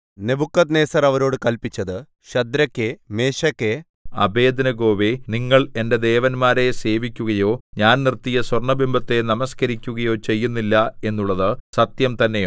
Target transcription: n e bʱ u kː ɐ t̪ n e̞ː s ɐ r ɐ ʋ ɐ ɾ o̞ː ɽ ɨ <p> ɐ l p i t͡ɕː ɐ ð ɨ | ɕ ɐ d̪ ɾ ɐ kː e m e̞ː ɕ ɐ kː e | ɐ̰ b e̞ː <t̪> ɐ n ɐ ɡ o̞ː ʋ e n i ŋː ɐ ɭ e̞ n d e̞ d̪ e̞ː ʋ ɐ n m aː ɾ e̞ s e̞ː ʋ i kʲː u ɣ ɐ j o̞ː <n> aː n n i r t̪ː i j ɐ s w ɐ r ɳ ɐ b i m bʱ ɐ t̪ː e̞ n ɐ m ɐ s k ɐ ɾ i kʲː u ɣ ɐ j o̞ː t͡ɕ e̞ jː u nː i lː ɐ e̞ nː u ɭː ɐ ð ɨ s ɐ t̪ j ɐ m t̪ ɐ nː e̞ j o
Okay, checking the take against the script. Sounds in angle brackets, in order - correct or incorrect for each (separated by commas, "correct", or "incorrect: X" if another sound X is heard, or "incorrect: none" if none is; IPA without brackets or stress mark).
incorrect: k, incorrect: d̪, incorrect: ɲ